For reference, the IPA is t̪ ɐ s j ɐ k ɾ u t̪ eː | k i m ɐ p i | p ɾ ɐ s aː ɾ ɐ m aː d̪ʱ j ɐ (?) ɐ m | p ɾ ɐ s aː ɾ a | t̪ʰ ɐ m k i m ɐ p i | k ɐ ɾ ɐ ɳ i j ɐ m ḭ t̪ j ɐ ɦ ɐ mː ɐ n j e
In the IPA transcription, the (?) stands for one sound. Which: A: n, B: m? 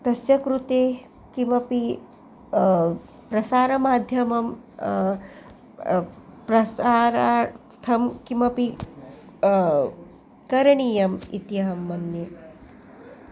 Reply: B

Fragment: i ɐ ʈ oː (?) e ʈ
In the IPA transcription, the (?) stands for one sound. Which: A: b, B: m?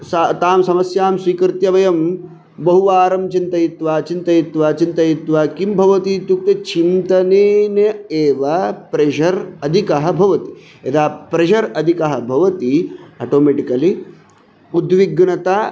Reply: B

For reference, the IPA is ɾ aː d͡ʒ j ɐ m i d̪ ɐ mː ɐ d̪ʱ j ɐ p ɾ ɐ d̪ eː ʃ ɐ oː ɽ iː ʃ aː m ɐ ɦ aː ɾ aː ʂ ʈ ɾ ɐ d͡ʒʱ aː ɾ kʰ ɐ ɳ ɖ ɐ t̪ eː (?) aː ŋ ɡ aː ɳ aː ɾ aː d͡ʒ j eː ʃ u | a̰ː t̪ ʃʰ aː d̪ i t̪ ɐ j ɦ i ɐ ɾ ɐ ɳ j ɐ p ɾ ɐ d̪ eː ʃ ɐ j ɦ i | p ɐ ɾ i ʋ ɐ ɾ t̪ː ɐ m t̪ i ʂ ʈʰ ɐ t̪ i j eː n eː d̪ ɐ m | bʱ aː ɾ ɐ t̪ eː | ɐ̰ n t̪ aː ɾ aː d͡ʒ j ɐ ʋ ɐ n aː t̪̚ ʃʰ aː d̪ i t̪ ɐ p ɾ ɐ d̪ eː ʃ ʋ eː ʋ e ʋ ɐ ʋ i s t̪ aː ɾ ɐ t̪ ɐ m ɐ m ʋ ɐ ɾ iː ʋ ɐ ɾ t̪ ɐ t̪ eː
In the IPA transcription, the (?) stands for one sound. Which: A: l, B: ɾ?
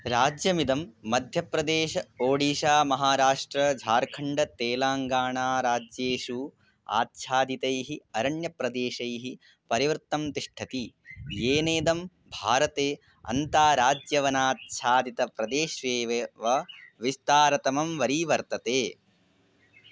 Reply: A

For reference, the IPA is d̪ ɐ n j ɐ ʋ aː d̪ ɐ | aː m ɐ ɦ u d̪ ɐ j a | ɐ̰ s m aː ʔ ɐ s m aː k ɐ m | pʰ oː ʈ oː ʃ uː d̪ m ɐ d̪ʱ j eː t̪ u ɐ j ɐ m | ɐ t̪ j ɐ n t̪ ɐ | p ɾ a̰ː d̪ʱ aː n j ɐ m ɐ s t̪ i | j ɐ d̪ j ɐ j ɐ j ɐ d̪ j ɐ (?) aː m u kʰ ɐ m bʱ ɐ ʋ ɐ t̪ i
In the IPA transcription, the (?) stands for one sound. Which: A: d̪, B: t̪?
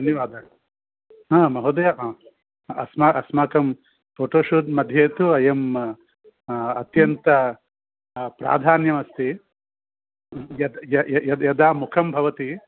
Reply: A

